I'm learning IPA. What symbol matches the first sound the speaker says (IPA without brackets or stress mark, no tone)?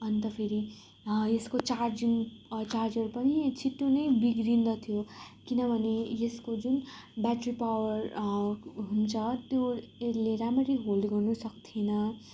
ʌ